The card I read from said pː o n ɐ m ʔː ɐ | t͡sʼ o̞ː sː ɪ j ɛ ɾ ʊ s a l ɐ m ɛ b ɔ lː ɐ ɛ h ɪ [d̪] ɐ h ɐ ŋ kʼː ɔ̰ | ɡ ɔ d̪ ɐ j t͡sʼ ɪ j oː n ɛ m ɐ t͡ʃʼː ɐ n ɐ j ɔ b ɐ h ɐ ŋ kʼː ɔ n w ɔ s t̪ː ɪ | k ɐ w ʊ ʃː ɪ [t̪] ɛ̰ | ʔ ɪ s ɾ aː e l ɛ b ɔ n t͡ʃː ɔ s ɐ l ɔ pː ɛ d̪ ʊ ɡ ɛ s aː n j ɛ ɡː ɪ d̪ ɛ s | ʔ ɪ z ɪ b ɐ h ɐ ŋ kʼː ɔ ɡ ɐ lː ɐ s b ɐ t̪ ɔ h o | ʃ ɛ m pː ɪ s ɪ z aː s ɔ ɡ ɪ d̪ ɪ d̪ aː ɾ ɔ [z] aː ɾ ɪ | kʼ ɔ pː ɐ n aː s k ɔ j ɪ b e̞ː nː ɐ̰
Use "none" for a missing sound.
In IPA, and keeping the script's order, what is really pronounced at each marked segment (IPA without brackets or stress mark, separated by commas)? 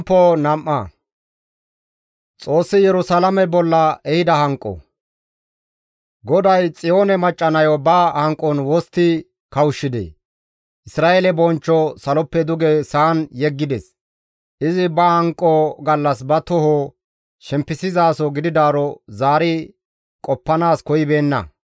d̪, d̪, z